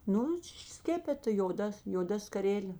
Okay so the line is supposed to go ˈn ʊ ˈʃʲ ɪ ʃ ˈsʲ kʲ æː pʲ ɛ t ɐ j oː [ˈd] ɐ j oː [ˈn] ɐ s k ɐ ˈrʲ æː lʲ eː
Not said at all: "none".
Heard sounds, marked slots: d, d

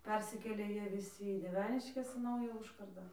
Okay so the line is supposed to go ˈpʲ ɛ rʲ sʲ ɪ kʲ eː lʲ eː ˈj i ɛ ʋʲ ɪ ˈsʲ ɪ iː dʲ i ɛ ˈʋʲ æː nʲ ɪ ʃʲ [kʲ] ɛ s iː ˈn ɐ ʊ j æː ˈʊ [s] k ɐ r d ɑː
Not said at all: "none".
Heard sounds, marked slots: kʲ, ʃ

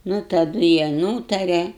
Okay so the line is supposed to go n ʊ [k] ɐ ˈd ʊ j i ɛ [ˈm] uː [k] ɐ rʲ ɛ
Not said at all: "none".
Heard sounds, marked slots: t, n, t

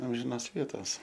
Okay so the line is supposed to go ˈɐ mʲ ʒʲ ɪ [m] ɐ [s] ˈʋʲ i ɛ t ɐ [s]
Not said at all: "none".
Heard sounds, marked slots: n, s, s

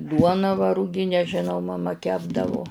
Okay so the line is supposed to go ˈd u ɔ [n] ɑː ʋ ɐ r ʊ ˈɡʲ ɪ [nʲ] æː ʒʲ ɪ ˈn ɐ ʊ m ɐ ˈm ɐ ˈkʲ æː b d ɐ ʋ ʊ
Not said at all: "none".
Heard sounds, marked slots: n, nʲ

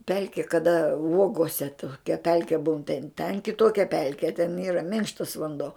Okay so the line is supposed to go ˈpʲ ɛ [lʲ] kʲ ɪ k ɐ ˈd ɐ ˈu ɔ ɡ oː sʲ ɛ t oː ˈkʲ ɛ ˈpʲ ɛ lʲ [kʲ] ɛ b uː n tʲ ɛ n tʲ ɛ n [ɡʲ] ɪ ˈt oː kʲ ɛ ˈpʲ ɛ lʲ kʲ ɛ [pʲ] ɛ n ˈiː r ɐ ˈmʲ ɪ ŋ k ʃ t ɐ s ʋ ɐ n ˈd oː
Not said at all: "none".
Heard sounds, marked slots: lʲ, kʲ, kʲ, tʲ

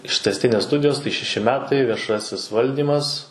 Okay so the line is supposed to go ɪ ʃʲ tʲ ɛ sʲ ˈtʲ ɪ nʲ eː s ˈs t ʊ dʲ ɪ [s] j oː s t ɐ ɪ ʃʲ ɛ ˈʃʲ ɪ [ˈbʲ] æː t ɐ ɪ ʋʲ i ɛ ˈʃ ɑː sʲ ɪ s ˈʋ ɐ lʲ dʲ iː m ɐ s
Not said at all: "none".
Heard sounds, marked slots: none, mʲ

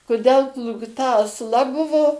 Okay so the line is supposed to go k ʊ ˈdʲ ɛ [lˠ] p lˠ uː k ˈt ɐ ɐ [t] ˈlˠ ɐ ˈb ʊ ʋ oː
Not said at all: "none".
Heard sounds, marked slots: lˠ, s

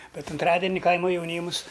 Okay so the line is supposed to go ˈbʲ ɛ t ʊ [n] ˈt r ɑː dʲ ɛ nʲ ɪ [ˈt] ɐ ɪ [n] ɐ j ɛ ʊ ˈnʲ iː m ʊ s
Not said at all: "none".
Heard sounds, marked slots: n, k, m

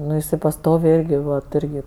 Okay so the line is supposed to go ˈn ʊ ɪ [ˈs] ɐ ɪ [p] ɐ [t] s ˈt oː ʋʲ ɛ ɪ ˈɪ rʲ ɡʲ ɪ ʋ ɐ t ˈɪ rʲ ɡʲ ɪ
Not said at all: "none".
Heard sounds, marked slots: s, p, none

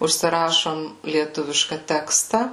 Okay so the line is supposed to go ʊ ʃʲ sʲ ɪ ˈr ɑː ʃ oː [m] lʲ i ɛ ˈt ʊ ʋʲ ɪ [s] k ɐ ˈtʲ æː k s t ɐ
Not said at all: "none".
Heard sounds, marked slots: m, ʃ

